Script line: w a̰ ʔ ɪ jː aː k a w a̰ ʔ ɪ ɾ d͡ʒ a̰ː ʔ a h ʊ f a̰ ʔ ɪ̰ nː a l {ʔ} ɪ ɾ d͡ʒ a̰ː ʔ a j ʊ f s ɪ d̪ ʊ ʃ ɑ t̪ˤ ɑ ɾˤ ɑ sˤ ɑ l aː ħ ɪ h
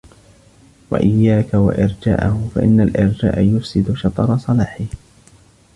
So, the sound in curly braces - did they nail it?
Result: yes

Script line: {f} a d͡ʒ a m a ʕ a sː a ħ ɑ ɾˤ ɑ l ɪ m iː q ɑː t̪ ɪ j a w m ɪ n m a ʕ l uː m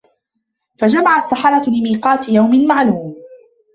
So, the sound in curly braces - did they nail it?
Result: yes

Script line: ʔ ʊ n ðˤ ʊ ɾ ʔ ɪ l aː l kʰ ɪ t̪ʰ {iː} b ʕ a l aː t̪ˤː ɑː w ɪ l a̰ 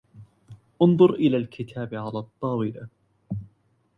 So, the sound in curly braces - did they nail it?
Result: no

